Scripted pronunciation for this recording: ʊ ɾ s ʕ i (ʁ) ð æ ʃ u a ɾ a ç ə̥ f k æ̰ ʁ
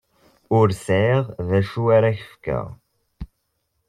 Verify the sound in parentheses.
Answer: correct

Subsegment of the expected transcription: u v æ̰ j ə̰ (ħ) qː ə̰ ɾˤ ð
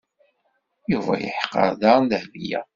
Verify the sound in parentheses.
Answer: correct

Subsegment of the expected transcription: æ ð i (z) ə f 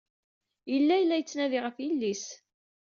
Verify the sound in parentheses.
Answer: incorrect: ʁ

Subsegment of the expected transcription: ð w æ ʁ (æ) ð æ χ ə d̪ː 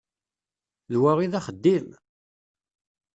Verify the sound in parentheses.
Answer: incorrect: i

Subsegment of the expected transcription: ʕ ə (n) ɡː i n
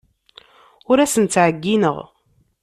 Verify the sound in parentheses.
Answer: incorrect: none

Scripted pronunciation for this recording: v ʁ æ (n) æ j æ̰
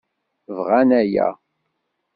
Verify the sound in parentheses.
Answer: correct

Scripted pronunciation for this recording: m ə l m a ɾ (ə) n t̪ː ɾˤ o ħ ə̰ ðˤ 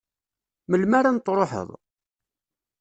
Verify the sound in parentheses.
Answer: incorrect: a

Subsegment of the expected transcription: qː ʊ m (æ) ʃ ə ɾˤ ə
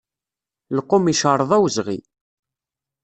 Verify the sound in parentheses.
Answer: incorrect: i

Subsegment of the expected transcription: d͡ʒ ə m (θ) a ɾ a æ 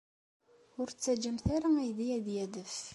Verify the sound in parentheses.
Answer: correct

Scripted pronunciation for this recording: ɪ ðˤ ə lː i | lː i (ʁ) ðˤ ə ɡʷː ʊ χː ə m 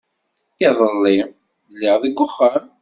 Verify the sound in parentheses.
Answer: correct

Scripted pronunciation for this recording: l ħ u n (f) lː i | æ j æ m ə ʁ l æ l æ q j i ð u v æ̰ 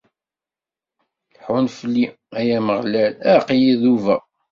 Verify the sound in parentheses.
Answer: correct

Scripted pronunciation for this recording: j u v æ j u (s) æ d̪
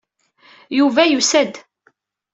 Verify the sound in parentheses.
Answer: correct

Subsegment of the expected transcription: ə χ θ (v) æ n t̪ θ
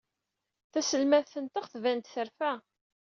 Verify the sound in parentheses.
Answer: correct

